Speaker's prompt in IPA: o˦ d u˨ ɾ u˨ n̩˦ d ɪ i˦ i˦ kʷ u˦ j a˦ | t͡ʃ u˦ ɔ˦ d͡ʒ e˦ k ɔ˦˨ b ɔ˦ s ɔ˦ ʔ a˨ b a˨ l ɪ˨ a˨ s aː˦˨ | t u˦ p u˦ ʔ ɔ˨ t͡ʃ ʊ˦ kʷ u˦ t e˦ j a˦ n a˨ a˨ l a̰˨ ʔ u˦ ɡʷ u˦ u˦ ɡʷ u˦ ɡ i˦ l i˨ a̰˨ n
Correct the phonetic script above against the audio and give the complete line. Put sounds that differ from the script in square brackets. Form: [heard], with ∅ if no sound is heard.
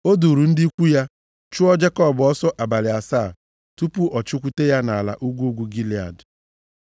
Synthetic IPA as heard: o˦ d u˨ ɾ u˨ n̩˦ d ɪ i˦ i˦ kʷ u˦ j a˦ | t͡ʃ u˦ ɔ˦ d͡ʒ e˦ k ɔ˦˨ b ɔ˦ s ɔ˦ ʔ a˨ b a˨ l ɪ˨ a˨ s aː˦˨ | t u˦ p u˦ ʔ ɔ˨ t͡ʃ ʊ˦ kʷ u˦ t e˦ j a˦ n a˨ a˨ l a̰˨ ʔ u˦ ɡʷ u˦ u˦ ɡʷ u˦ ɡ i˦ l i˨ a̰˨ [d]